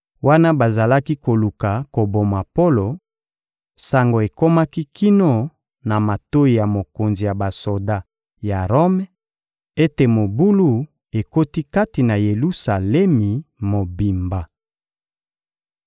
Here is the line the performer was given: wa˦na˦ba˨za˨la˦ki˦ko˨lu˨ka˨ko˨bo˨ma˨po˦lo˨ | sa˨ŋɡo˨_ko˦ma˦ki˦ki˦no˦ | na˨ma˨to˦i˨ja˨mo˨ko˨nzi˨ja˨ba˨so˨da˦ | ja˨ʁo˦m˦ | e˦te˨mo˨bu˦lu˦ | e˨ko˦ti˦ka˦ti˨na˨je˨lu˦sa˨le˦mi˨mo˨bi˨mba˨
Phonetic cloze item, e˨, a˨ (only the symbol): e˨